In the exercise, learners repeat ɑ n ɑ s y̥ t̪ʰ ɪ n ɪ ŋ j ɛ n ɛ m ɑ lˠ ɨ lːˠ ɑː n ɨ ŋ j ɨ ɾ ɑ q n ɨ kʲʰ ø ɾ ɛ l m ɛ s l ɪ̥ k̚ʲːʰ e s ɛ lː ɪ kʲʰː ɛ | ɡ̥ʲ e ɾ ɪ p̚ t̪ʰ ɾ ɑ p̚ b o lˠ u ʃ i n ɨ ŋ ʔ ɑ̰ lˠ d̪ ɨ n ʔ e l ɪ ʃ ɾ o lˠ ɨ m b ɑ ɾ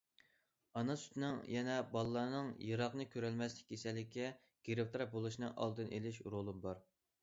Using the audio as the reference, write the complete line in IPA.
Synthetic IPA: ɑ n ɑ s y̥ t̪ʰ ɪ n ɪ ŋ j ɛ n ɛ b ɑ lˠ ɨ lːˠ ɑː n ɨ ŋ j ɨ ɾ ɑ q n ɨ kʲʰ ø ɾ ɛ l m ɛ s l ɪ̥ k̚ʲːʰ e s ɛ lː ɪ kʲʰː ɛ | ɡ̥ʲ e ɾ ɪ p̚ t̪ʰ ɾ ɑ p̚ b o lˠ u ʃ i n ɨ ŋ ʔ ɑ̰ lˠ d̪ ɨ n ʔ e l ɪ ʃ ɾ o lˠ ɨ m b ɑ ɾ